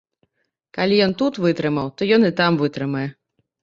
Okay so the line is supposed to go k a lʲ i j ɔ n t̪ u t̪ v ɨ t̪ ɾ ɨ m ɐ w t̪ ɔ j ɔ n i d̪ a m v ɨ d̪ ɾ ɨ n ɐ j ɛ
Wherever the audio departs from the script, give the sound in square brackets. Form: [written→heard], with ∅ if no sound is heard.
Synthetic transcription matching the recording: k a lʲ i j ɔ n t̪ u t̪ v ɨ t̪ ɾ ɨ m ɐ w t̪ ɔ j ɔ n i [d̪→t̪] a m v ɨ [d̪→t̪] ɾ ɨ [n→m] ɐ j ɛ